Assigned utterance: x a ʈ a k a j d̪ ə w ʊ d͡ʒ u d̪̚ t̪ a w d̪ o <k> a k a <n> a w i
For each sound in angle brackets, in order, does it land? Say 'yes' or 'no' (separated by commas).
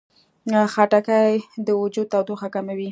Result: no, no